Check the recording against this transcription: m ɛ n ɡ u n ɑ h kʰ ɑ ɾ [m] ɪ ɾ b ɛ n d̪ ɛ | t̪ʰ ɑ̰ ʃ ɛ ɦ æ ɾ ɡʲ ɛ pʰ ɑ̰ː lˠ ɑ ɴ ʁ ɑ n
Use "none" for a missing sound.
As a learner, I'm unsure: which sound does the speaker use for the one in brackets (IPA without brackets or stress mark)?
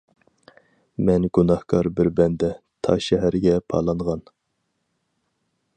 b